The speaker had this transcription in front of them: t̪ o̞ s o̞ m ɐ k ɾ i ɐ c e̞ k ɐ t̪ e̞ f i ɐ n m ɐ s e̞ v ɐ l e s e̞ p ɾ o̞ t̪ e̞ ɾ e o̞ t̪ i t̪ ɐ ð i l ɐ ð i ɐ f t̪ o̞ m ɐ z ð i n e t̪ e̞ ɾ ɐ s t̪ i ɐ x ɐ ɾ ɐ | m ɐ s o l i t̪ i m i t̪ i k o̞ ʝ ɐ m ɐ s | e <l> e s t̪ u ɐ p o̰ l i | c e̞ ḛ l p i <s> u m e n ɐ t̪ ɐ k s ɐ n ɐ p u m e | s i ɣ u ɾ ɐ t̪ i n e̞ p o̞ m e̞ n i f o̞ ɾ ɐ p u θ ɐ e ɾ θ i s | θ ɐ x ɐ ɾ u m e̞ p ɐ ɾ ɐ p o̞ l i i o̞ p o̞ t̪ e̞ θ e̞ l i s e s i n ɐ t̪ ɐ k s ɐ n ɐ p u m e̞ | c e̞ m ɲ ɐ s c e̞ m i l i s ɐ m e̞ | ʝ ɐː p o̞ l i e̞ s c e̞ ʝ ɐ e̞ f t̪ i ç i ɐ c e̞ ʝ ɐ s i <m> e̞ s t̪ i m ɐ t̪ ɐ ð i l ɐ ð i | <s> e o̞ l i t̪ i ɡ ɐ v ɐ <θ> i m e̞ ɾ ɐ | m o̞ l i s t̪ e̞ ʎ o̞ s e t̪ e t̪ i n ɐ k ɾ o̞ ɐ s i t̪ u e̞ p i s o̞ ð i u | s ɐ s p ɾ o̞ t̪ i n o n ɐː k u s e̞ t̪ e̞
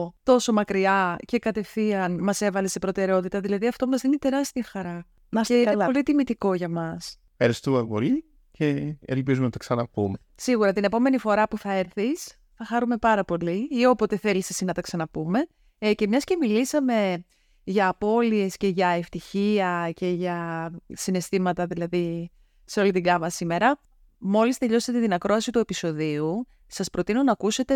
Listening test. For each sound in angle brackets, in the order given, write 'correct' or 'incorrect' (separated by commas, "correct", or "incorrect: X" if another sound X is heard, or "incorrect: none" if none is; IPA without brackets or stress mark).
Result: incorrect: ɾ, incorrect: z, incorrect: n, correct, incorrect: s